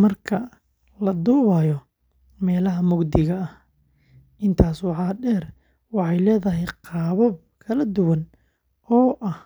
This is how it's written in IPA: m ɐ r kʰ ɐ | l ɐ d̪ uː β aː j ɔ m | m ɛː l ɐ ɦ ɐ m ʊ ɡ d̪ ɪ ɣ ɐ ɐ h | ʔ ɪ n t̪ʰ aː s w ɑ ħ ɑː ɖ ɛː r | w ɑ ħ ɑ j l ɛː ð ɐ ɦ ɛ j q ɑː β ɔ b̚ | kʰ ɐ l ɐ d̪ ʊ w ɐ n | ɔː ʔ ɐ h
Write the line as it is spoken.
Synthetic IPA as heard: m ɐ r kʰ ɐ | l ɐ d̪ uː β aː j ɔ | m ɛː l ɐ ɦ ɐ m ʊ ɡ d̪ ɪ ɣ ɐ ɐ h | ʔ ɪ n t̪ʰ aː s w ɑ ħ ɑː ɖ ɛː r | w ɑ ħ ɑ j l ɛː ð ɐ ɦ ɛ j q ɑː β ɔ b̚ | kʰ ɐ l ɐ d̪ ʊ w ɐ n | ɔː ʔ ɐ h